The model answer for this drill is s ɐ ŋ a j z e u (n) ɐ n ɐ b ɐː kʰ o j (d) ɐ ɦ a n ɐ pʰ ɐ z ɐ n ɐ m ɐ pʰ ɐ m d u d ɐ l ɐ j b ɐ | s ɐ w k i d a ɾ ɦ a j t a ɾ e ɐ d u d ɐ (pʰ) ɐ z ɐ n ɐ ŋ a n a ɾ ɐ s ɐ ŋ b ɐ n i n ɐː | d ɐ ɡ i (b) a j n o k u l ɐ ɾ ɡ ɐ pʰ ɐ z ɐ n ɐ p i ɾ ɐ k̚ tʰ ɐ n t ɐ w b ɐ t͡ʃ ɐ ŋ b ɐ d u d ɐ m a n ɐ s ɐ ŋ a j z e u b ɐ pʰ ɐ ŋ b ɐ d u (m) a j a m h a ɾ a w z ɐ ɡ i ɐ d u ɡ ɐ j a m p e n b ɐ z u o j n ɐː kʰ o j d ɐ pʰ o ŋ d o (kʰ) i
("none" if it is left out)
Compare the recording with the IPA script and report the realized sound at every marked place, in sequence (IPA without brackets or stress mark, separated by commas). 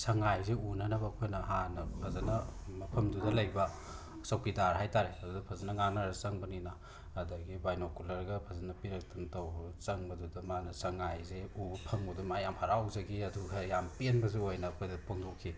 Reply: n, n, pʰ, b, m, kʰ